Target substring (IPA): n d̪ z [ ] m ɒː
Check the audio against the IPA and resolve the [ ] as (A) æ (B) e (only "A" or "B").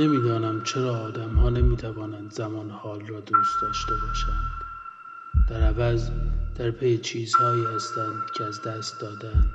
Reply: A